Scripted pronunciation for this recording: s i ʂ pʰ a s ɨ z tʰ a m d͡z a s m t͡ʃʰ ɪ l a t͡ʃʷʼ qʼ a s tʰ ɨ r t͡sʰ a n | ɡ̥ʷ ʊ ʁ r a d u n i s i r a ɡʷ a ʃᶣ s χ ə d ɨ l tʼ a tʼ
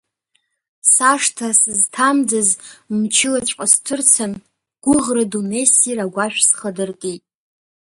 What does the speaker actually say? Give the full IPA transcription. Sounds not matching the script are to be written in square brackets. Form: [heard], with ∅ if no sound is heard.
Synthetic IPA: s [a] ʂ [tʰ] a s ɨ z tʰ a m d͡z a [z] m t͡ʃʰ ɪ l a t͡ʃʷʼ qʼ a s tʰ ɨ r t͡sʰ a n | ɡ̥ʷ ʊ ʁ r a d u n [e] s i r a ɡʷ a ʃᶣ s χ ə d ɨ [r] tʼ [i] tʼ